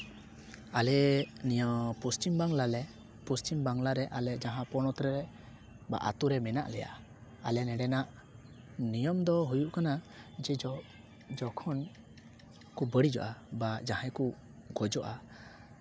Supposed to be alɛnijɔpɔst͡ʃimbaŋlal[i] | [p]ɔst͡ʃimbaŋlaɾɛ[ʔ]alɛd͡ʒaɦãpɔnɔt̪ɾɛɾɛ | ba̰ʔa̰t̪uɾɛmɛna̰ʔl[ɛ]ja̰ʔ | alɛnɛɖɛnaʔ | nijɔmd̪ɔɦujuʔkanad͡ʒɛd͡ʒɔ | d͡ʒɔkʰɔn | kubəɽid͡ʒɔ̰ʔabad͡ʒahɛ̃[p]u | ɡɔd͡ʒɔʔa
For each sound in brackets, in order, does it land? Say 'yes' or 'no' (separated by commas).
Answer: no, yes, yes, yes, no